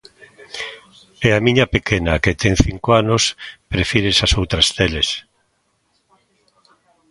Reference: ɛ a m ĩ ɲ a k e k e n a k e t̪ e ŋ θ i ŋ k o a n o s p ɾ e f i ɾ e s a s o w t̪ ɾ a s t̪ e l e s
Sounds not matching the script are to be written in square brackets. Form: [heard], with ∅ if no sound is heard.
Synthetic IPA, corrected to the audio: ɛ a m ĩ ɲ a [p] e k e n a k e t̪ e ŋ θ i ŋ k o a n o s p ɾ e f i ɾ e s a s o w t̪ ɾ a s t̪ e l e s